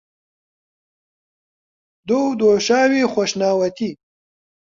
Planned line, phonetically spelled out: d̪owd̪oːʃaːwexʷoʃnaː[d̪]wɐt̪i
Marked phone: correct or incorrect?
incorrect